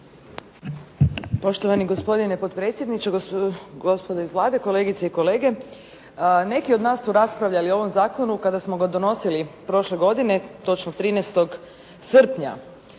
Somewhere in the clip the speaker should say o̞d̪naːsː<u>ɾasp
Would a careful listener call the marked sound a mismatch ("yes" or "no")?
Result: no